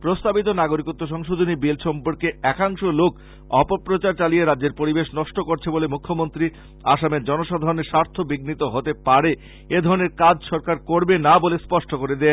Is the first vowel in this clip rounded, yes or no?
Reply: yes